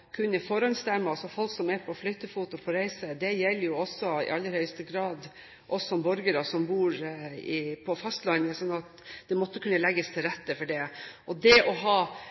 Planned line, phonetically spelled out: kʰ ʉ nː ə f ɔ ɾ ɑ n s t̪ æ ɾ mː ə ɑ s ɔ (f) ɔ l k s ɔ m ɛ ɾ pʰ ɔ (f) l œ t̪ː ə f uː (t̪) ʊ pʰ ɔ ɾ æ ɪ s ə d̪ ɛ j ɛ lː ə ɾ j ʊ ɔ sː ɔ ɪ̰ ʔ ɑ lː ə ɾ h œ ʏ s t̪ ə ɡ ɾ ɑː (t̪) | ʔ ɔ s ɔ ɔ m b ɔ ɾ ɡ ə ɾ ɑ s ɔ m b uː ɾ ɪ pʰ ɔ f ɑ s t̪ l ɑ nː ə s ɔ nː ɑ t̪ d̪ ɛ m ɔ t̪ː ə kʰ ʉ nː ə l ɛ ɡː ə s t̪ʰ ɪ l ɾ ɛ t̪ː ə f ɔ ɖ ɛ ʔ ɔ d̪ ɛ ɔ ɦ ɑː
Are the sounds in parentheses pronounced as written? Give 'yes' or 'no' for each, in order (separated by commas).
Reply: yes, yes, yes, no